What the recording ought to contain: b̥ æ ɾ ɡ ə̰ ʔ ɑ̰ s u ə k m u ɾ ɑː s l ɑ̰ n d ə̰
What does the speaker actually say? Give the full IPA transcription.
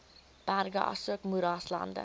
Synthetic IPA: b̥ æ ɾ ɡ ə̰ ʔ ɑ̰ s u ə k m u ɾ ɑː s l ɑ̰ n d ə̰

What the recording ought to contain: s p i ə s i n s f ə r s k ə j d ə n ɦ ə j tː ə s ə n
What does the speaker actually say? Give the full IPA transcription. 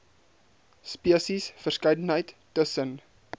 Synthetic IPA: s p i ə s i s f ə r s k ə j d ə n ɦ ə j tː ə s ə n

